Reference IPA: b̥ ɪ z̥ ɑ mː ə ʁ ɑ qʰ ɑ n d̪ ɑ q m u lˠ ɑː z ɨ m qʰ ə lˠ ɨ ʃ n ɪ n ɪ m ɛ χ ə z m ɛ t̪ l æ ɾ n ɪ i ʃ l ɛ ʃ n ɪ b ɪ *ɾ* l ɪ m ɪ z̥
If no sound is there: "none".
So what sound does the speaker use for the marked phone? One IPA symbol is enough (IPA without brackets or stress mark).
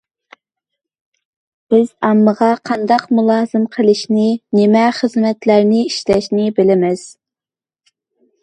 none